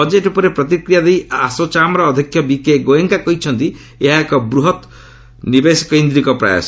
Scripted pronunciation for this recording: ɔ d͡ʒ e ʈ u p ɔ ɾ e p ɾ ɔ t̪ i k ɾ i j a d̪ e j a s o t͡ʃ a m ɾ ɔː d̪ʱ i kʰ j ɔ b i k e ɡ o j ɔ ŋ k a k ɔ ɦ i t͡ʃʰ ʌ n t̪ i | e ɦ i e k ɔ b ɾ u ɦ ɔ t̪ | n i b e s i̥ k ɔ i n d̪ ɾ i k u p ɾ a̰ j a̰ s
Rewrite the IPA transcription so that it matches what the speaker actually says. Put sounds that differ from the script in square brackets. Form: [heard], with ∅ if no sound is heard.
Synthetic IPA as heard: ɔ d͡ʒ e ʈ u p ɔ ɾ e p ɾ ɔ t̪ i k ɾ i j a d̪ e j a s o t͡ʃ a m ɾ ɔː d̪ʱ i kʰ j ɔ b i k e ɡ o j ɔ ŋ k a k ɔ ɦ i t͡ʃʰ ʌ n t̪ i | e ɦ [a] e k ɔ b ɾ u ɦ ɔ t̪ | n i b e s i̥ k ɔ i n d̪ ɾ i k [ɔ] p ɾ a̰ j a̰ s